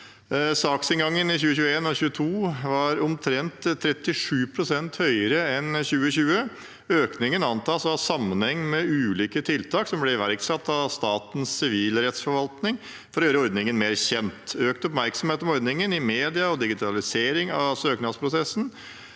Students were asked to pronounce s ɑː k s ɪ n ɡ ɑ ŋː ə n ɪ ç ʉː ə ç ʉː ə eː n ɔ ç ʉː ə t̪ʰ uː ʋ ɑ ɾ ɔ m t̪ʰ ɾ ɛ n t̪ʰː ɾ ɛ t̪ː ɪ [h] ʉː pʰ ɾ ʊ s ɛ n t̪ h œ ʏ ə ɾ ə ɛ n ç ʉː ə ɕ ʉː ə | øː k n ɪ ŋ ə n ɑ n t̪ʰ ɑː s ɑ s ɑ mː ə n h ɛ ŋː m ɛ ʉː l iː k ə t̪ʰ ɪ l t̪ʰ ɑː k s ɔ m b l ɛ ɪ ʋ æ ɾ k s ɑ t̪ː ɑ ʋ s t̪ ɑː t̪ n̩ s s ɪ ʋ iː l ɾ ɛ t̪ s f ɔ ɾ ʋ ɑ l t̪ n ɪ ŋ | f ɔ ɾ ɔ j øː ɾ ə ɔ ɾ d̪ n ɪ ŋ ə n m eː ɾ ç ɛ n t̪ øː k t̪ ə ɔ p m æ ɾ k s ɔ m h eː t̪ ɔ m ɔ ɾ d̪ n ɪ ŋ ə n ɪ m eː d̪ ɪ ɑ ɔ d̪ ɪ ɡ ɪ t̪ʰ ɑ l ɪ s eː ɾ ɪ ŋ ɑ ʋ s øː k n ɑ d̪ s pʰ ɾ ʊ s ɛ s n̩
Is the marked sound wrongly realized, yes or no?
yes